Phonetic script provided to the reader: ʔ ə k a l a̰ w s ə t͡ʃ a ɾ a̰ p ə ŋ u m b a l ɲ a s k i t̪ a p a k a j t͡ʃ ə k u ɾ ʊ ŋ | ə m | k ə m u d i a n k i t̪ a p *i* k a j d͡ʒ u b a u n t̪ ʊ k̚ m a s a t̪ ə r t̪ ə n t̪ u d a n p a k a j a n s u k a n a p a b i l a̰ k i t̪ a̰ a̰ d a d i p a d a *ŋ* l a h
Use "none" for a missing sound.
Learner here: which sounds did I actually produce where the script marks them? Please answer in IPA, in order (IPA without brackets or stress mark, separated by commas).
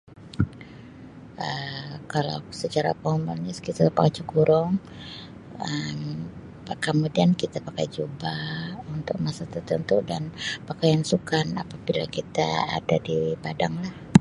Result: a, ŋ